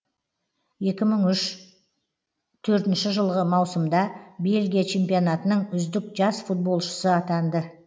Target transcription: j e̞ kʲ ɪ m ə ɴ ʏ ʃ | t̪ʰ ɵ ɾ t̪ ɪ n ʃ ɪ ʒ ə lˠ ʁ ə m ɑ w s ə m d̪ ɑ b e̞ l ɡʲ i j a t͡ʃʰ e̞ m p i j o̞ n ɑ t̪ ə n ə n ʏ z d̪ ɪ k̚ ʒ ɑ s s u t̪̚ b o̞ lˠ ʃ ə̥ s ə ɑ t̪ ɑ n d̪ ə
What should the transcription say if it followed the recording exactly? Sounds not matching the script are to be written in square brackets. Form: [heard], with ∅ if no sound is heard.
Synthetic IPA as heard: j e̞ kʲ ɪ m ə ɴ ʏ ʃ | t̪ʰ ɵ ɾ t̪ ɪ n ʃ ɪ ʒ ə lˠ ʁ ə m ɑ w s ə m d̪ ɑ b e̞ l ɡʲ i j a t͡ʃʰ e̞ m p i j o̞ n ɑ t̪ ə n ə [ɴ] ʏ z d̪ ɪ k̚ ʒ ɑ s [f] u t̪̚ b o̞ lˠ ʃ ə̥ s ə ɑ t̪ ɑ n d̪ ə